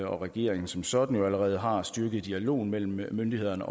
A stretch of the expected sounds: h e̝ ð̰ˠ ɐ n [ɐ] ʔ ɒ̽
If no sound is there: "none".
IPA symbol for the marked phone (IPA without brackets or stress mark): ə